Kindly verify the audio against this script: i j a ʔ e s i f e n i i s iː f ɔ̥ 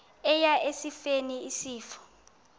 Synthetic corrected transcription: ɛ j a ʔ e s i f e n i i s iː f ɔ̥